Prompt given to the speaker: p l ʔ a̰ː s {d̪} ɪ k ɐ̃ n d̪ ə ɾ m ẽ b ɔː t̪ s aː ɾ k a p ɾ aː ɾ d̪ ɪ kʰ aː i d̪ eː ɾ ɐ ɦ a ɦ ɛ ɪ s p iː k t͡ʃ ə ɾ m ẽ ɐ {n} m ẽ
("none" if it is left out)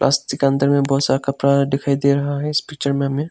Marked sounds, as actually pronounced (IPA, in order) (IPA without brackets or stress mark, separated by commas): t̪, none